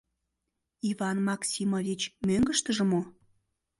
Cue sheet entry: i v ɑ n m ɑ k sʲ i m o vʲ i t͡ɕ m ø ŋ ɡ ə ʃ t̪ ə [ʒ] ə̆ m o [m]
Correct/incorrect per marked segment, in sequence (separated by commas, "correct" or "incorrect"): correct, incorrect